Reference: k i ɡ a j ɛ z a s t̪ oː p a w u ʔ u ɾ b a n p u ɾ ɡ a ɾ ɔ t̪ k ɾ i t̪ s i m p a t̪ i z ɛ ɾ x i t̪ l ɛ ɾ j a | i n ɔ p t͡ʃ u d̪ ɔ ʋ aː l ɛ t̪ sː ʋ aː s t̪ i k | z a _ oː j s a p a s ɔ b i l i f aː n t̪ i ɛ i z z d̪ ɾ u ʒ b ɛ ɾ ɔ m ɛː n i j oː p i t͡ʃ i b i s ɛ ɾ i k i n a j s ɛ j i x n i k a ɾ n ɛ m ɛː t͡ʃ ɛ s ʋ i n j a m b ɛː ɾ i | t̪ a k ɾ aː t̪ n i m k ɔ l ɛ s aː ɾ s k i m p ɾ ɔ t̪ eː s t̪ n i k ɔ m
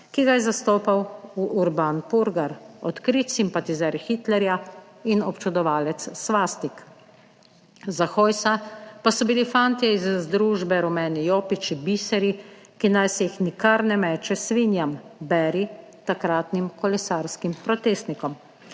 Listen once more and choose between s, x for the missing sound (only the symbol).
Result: x